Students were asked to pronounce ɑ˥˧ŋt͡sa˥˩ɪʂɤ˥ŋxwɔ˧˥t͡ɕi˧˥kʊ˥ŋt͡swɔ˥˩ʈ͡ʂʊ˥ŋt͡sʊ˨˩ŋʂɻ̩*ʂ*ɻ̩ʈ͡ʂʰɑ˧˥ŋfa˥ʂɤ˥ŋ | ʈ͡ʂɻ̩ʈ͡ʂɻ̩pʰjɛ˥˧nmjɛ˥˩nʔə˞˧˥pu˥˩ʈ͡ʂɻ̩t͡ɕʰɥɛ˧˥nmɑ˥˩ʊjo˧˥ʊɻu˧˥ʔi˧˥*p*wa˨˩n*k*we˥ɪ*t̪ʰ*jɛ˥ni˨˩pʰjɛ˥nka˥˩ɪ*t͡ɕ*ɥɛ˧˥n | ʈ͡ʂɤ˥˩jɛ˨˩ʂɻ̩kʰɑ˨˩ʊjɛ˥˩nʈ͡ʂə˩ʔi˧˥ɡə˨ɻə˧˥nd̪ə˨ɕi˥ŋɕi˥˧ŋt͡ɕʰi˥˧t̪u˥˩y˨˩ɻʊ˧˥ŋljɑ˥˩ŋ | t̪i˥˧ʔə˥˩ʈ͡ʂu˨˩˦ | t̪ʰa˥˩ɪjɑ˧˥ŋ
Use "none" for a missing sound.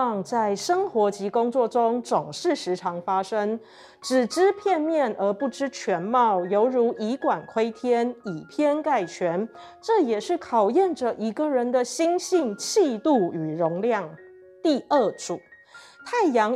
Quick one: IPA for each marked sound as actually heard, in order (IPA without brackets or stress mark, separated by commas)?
ʂ, k, kʰ, t̪ʰ, t͡ɕʰ